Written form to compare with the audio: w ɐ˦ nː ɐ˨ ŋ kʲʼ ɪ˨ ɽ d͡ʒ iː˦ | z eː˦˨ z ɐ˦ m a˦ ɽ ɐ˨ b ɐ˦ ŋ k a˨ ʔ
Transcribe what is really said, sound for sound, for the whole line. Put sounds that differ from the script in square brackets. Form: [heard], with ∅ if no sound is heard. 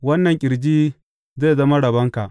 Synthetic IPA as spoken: w ɐ˦ nː ɐ˨ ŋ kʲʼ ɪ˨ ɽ d͡ʒ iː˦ | z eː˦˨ z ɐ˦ m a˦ ɽ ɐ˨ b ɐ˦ ŋ k a˨ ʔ